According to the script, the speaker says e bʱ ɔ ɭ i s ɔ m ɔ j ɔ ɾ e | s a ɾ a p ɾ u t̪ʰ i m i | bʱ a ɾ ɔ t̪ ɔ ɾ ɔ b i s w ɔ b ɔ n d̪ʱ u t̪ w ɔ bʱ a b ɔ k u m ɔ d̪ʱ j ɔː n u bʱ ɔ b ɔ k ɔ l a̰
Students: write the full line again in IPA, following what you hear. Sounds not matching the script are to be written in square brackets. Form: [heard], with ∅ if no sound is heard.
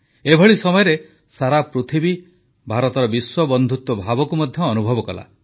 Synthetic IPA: e bʱ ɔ ɭ i s ɔ m ɔ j ɔ ɾ e | s a ɾ a p ɾ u t̪ʰ i [b] i | bʱ a ɾ ɔ t̪ ɔ ɾ ɔ b i s w ɔ b ɔ n d̪ʱ u t̪ w ɔ bʱ a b ɔ k u m ɔ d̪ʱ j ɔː n u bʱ ɔ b ɔ k ɔ l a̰